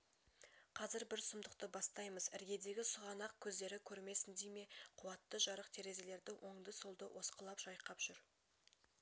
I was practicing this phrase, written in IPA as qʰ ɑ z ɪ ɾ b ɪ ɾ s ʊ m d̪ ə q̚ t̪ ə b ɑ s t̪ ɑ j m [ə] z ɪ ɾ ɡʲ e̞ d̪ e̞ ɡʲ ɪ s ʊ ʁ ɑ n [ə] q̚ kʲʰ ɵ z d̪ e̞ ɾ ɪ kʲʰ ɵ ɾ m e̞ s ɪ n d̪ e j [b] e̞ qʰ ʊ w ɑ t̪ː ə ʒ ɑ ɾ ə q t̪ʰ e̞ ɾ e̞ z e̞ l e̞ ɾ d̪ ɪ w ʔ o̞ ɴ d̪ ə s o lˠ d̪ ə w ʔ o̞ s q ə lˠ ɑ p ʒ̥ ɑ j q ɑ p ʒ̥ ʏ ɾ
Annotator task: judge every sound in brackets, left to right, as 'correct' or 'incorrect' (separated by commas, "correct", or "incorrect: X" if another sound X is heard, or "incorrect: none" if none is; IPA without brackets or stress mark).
correct, incorrect: ɑ, incorrect: m